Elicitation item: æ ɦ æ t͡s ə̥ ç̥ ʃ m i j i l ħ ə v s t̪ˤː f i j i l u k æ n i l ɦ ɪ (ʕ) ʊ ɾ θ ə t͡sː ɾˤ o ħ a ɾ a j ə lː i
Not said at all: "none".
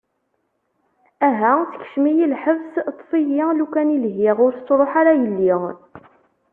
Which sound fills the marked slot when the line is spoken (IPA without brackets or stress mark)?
ʁ